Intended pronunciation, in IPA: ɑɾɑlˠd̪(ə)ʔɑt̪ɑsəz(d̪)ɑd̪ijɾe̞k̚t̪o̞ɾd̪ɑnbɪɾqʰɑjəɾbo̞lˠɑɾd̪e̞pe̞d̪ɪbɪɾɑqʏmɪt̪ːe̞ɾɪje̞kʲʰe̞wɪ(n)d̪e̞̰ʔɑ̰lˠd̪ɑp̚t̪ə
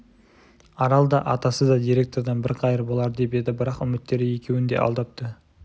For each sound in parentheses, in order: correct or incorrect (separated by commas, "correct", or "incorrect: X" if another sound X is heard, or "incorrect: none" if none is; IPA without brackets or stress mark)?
incorrect: ɑ, correct, correct